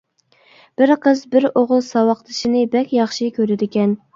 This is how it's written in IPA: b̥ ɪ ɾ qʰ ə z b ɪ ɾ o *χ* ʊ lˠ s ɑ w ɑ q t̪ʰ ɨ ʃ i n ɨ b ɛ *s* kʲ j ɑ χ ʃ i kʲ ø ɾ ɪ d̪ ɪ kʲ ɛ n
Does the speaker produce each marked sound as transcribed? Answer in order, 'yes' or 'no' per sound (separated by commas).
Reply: no, no